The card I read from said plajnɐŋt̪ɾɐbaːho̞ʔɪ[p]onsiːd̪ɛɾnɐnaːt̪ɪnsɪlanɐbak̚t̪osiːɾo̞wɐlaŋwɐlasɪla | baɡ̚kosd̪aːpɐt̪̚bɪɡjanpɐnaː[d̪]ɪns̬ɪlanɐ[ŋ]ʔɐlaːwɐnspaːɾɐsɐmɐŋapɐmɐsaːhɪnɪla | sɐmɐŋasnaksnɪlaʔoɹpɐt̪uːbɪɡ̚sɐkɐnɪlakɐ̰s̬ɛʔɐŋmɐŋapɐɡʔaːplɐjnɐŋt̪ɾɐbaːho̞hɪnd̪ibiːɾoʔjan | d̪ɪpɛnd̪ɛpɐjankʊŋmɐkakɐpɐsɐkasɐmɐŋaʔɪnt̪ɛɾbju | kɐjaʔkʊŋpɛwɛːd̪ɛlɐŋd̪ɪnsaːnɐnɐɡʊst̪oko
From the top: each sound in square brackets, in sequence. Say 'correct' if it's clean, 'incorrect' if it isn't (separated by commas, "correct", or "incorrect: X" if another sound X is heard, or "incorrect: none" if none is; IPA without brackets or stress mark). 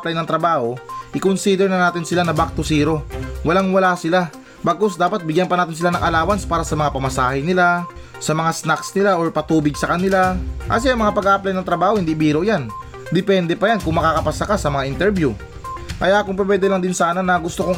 incorrect: k, incorrect: t̪, correct